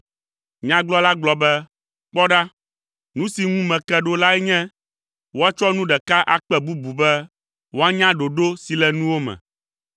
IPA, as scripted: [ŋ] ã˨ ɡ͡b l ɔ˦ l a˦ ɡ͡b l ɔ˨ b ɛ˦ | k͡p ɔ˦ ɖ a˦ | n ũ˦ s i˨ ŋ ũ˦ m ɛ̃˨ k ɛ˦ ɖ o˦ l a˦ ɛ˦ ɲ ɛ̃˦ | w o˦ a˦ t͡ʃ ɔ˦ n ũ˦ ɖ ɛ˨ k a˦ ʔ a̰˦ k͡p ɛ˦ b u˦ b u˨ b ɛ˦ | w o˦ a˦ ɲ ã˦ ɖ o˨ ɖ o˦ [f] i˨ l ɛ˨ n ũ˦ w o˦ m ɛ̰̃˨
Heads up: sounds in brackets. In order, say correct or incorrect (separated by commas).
incorrect, incorrect